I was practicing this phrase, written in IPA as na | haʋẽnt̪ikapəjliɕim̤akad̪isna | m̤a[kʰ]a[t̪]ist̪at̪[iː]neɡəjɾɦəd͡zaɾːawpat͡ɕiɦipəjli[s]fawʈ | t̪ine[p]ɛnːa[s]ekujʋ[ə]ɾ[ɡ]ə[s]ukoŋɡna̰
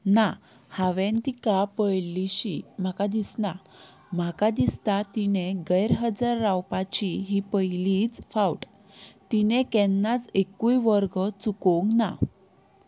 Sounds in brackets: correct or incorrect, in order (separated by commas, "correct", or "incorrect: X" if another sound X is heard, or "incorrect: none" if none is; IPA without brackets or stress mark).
incorrect: k, incorrect: d̪, incorrect: i, incorrect: t͡s, incorrect: k, incorrect: t͡s, correct, correct, incorrect: t͡s